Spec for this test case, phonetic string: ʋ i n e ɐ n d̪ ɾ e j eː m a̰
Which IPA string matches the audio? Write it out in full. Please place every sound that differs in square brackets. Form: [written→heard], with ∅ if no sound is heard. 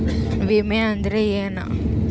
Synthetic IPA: ʋ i [n→m] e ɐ n d̪ ɾ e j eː [m→n] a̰